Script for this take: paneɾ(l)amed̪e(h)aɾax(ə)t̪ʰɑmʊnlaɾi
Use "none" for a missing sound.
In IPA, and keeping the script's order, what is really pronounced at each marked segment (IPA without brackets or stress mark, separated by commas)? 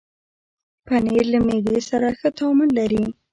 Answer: l, s, ə